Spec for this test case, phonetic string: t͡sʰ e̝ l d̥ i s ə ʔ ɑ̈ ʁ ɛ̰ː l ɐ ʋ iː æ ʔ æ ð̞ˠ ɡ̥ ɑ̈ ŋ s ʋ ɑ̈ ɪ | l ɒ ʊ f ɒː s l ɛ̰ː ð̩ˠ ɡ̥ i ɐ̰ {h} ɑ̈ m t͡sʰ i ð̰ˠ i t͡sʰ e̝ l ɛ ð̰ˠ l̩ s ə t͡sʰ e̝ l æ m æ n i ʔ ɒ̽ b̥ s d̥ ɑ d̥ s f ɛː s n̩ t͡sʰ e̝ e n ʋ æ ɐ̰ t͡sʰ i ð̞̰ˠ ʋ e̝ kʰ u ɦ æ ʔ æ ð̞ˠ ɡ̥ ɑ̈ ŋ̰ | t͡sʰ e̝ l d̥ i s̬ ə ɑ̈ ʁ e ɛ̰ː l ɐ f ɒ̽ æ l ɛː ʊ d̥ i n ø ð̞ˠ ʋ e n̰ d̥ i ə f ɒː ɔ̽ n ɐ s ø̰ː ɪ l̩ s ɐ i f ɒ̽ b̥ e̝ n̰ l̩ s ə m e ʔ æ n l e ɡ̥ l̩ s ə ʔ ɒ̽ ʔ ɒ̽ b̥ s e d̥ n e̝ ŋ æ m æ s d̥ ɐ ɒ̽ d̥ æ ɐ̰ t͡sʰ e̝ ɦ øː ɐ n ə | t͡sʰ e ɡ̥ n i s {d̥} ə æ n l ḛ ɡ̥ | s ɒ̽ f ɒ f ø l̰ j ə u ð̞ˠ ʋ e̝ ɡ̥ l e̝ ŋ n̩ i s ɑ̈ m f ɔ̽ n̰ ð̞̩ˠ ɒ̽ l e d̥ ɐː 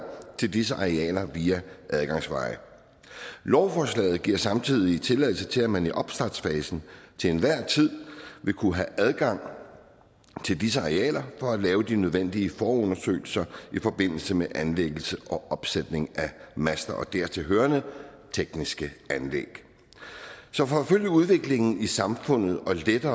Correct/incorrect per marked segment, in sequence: incorrect, incorrect

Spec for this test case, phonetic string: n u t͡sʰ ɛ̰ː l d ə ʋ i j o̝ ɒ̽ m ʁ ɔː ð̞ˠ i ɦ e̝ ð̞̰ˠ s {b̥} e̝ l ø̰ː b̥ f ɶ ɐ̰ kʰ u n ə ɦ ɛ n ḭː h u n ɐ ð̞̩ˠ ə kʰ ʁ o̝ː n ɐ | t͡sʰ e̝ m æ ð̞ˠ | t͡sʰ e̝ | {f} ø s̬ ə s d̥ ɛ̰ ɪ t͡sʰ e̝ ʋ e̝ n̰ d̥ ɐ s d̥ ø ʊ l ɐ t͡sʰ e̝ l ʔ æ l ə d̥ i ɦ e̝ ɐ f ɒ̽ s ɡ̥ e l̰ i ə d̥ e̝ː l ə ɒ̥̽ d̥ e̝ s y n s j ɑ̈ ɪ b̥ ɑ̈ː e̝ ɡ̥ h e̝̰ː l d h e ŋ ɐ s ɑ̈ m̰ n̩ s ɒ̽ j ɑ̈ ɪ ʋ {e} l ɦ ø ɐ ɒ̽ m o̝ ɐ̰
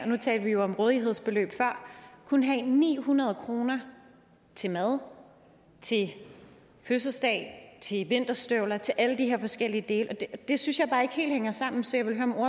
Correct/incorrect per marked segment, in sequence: correct, correct, correct

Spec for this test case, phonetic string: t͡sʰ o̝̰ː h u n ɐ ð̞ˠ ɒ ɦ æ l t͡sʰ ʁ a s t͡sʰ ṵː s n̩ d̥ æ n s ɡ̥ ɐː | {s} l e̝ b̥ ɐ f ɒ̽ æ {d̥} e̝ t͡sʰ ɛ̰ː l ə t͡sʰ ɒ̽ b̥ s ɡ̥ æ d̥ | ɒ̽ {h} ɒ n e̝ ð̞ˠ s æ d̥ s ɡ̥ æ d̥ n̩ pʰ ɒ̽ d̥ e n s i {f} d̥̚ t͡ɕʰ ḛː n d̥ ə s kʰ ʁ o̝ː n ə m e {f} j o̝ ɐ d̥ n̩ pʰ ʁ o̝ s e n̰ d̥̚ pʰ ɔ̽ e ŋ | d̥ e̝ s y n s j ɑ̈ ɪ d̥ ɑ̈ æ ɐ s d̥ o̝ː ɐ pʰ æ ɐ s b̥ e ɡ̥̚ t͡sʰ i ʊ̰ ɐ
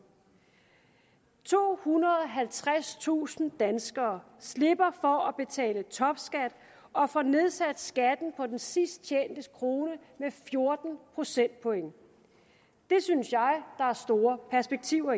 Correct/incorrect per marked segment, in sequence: correct, incorrect, incorrect, incorrect, correct

